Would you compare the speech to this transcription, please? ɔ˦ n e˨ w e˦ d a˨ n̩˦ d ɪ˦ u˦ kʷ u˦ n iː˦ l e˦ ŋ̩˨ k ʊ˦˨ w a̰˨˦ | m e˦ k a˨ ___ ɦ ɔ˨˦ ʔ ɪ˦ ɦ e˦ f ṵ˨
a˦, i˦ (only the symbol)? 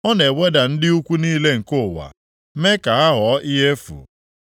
a˦